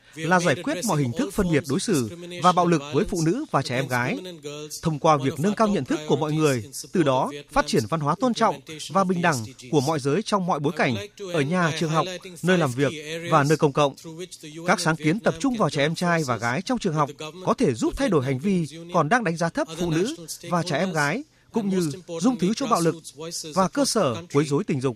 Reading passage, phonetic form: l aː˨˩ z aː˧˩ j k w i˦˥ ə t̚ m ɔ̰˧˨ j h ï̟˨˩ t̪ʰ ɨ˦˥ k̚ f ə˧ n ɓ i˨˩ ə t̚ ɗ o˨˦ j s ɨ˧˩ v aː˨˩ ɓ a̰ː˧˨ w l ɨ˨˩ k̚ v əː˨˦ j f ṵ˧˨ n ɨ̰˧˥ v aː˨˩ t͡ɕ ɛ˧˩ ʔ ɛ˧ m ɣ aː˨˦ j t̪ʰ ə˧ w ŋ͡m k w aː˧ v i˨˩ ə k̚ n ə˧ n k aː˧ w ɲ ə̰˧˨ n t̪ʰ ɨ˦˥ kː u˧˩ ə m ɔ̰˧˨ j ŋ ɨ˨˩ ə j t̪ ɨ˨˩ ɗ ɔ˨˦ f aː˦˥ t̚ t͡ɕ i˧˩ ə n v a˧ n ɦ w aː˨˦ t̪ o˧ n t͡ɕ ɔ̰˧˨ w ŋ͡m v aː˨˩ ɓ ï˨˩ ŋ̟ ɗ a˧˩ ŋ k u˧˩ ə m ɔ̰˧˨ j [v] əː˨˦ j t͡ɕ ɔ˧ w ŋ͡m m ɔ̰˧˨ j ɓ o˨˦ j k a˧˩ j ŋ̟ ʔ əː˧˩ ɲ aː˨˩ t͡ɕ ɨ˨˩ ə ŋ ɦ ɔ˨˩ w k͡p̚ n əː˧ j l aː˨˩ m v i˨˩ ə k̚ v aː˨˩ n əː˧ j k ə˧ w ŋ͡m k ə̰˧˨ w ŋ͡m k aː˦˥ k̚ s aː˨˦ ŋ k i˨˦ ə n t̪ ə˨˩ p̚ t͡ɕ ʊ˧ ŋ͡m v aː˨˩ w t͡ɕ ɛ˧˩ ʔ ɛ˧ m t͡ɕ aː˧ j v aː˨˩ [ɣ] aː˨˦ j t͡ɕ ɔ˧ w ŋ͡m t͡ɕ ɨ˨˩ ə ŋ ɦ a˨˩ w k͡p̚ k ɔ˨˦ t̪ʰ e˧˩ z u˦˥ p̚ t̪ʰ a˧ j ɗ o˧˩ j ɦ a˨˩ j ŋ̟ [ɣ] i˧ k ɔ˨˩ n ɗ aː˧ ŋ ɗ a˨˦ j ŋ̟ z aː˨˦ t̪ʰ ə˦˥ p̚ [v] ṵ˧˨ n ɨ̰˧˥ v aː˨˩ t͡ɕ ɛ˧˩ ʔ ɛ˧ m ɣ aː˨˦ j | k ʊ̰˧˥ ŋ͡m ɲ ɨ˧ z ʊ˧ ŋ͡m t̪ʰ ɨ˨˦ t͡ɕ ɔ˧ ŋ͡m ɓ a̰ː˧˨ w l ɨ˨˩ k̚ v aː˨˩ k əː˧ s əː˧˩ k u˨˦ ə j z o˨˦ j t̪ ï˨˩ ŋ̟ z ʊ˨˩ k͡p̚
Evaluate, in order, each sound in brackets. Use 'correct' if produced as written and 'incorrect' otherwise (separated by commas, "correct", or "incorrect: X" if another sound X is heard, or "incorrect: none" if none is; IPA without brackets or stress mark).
incorrect: z, correct, incorrect: v, incorrect: f